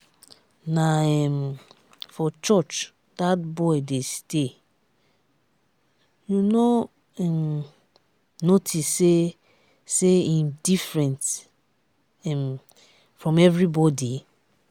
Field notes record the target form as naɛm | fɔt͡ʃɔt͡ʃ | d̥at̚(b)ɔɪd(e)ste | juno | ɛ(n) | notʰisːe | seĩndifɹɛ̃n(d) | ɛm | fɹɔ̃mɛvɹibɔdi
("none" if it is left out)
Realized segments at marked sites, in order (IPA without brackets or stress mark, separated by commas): b, e, m, t